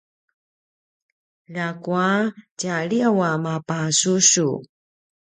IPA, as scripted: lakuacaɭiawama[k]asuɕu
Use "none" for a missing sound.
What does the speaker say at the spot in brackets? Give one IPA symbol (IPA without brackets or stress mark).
p